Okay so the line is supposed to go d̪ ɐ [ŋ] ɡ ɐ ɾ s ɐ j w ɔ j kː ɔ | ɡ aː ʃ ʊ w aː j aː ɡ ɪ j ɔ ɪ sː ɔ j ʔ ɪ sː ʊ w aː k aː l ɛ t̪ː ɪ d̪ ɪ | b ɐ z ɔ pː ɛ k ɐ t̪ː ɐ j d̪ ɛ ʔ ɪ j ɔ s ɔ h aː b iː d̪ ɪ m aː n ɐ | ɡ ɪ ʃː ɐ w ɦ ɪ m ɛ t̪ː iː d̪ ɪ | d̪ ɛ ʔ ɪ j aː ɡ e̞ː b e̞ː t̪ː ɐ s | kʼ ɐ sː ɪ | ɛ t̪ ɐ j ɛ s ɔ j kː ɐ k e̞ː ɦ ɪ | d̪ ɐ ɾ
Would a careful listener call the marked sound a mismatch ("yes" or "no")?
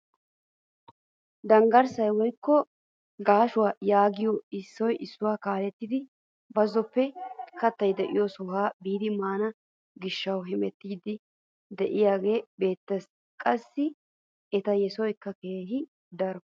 no